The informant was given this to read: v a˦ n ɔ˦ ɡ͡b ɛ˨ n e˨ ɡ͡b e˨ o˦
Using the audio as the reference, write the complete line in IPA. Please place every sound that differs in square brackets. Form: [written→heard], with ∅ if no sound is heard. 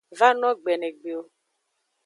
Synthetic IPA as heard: v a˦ n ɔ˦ ɡ͡b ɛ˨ n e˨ ɡ͡b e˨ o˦